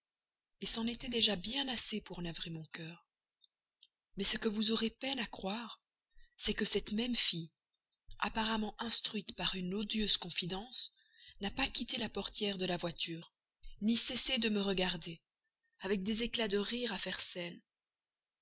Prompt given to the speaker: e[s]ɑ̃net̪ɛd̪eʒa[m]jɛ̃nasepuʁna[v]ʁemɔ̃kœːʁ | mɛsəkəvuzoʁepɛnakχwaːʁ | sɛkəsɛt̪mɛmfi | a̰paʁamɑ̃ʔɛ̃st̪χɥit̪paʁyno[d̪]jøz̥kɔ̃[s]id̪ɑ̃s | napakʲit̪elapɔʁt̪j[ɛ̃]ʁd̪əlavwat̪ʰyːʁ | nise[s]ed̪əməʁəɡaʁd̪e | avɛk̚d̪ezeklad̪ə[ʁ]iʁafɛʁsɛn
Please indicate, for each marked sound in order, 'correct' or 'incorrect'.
correct, incorrect, correct, correct, incorrect, incorrect, correct, correct

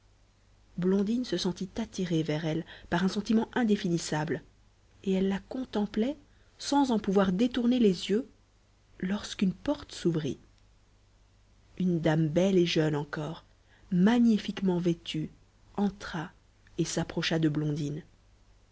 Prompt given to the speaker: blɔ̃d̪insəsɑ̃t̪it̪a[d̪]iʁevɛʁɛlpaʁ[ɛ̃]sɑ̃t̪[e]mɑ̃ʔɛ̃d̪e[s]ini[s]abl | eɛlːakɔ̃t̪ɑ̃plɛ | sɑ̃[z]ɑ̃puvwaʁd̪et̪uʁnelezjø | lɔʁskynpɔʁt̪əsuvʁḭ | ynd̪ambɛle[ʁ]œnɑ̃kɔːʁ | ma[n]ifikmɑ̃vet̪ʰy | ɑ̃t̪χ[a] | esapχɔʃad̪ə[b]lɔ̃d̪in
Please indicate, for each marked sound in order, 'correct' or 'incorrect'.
incorrect, correct, incorrect, incorrect, correct, correct, incorrect, incorrect, correct, correct

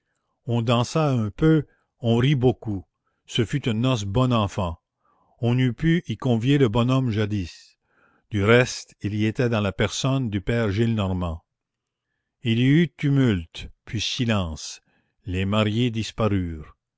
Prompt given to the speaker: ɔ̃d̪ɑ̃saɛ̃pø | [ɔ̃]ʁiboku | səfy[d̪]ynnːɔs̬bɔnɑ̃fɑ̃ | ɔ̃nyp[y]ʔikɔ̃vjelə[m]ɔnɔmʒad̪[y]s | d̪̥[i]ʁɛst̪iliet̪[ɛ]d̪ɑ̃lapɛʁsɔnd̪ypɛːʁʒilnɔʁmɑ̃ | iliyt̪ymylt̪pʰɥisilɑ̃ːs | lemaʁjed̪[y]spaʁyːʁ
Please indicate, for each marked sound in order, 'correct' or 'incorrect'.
correct, incorrect, correct, incorrect, incorrect, incorrect, correct, incorrect

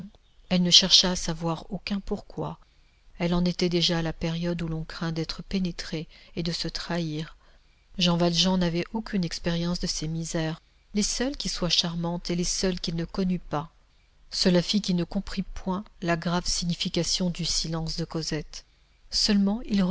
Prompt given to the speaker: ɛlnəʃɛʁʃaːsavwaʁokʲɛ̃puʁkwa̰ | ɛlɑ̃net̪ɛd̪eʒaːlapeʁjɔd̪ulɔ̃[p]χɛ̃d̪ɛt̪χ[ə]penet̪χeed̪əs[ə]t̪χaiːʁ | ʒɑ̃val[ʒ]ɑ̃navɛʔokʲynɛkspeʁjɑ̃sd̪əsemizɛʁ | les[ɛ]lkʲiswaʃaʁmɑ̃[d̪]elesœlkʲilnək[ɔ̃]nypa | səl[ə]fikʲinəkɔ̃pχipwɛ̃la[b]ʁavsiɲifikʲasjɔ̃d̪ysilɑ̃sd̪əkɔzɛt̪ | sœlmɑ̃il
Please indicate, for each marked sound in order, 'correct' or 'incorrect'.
incorrect, correct, correct, correct, incorrect, incorrect, incorrect, incorrect, incorrect

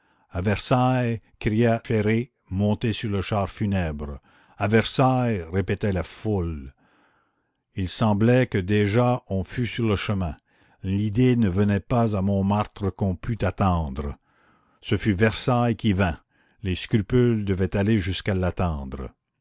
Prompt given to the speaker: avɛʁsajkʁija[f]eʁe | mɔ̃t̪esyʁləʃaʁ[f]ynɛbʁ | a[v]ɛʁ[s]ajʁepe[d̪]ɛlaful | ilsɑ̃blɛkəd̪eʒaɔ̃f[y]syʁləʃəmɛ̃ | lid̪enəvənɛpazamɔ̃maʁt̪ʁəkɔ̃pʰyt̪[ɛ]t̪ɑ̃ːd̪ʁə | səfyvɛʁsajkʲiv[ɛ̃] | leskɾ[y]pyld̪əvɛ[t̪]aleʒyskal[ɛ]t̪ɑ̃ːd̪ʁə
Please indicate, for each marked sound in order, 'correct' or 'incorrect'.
correct, correct, correct, correct, incorrect, correct, incorrect, correct, correct, correct, incorrect

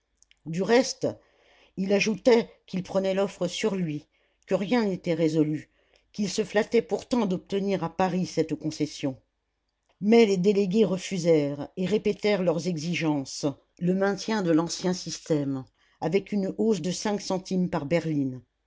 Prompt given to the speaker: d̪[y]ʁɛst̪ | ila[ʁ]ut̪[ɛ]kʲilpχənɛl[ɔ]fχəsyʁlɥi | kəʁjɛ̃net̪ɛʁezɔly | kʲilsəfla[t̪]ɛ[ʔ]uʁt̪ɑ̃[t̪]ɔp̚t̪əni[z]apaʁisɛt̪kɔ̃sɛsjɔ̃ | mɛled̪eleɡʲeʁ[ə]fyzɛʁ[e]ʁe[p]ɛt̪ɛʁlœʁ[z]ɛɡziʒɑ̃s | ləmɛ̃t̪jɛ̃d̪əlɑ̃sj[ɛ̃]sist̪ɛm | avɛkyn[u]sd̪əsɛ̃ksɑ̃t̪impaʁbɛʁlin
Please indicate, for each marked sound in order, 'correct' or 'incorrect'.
correct, incorrect, correct, correct, correct, incorrect, incorrect, incorrect, correct, correct, correct, correct, correct, incorrect

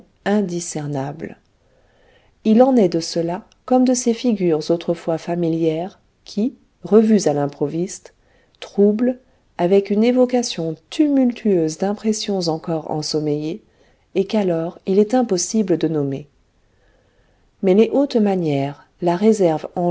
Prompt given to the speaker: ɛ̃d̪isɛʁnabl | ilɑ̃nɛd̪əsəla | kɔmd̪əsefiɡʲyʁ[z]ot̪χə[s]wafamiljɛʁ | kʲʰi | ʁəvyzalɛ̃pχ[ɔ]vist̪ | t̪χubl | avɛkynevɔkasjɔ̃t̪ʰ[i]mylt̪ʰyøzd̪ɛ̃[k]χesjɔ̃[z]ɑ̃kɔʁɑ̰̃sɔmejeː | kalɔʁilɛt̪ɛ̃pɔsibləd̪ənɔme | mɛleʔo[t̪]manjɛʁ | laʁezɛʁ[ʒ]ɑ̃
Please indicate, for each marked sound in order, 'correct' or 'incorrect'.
correct, incorrect, correct, incorrect, incorrect, correct, correct, incorrect

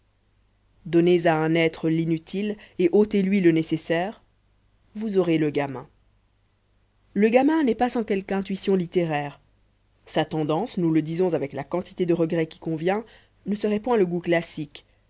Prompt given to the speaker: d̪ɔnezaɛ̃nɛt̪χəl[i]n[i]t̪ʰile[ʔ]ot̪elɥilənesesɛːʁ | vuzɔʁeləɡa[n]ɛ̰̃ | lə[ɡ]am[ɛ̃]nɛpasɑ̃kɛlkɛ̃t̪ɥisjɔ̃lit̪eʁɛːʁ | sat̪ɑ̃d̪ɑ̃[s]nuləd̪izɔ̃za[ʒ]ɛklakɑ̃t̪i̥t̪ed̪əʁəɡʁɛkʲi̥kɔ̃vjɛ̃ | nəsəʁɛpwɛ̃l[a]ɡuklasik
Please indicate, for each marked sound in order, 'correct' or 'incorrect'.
correct, incorrect, correct, incorrect, correct, correct, correct, incorrect, incorrect

